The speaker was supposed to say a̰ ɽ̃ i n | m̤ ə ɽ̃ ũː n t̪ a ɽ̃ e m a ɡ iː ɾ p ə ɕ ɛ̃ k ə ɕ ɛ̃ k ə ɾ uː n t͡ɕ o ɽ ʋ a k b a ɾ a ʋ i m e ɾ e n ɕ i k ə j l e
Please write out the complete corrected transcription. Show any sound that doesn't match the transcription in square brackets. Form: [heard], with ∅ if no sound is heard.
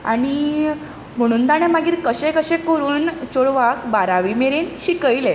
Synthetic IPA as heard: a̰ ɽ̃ i [∅] | m̤ ə ɽ̃ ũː n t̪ a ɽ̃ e m a ɡ iː ɾ [k] ə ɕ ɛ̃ k ə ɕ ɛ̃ k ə ɾ uː n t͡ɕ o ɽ ʋ a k b a ɾ a ʋ i m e ɾ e n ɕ i k ə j l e